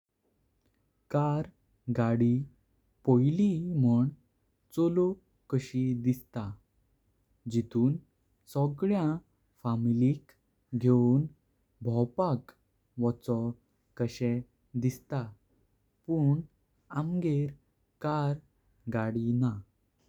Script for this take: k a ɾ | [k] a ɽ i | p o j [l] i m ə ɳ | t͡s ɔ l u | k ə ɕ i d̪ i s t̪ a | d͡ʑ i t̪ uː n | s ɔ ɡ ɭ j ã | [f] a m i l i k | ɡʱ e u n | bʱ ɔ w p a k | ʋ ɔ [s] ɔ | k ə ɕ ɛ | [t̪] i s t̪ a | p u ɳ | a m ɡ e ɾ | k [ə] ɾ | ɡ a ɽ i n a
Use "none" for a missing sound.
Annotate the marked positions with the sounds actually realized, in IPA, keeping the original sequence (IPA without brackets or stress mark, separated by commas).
ɡ, l, f, t͡s, d̪, a